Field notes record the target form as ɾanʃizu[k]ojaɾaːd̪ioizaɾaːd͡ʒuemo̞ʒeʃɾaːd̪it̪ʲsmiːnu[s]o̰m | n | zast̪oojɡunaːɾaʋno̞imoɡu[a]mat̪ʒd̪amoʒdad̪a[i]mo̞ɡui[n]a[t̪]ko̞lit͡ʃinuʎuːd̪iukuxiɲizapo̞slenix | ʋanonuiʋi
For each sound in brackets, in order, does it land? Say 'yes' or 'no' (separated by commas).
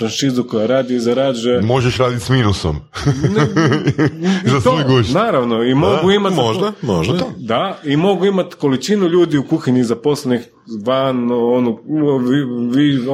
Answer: yes, yes, no, yes, no, yes